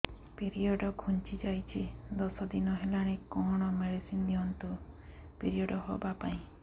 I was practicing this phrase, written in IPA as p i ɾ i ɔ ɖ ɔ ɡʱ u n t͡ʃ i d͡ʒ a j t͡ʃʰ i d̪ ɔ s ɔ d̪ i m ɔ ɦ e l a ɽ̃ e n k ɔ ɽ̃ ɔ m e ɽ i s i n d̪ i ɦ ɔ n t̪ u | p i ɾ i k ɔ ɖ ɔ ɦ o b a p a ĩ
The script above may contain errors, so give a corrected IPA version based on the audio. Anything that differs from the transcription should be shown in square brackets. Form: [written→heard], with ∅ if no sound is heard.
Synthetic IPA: p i ɾ i ɔ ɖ ɔ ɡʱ u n t͡ʃ i d͡ʒ a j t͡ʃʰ i d̪ ɔ s ɔ d̪ i [m→n] ɔ ɦ e l a ɽ̃ e [n→∅] k ɔ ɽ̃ ɔ m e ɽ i s i n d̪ i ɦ ɔ n t̪ u | p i ɾ i [k→∅] ɔ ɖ ɔ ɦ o b a p a ĩ